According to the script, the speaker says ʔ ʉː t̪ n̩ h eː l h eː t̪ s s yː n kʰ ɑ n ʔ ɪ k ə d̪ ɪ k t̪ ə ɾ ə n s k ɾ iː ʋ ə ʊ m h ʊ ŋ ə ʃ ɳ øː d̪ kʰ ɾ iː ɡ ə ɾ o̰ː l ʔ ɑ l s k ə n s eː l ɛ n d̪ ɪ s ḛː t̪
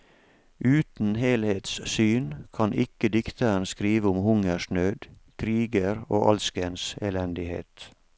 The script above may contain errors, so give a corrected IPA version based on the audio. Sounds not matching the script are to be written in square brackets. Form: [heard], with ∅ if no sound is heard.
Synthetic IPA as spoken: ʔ ʉː t̪ n̩ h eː l h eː t̪ s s yː n kʰ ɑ n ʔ ɪ k ə d̪ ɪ k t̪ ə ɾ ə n s k ɾ iː ʋ ə ʊ m h ʊ ŋ ə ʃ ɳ øː d̪ kʰ ɾ iː ɡ ə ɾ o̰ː [∅] ʔ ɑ l s k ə n s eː l ɛ n d̪ ɪ [h] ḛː t̪